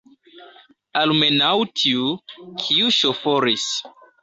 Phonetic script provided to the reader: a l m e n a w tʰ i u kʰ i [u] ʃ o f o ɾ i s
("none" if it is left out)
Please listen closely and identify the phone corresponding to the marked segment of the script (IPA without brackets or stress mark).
u